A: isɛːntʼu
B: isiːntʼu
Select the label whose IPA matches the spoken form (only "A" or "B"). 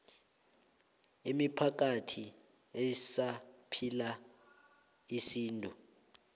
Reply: B